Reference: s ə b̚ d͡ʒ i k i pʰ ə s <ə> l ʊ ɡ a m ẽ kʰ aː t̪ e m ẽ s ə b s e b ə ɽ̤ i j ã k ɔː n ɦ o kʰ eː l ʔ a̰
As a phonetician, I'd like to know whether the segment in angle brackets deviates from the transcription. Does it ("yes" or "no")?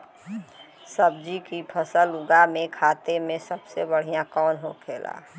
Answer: no